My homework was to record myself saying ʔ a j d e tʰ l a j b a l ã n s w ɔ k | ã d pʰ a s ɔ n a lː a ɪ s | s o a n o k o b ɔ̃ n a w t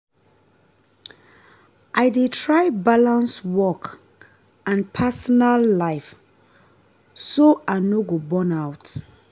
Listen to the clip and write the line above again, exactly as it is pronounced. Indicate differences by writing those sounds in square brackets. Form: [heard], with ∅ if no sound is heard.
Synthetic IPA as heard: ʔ a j d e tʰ [ɹ] a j b a l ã n s w ɔ k | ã [n] pʰ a s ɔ n a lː a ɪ [f] | s o a n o [ɡ] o b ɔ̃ n a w t